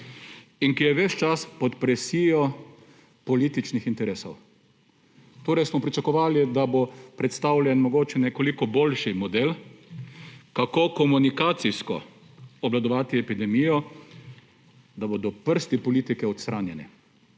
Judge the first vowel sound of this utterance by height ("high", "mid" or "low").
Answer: high